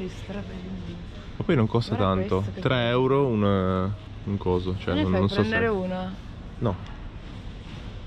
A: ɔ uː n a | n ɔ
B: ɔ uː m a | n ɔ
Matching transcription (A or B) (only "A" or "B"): A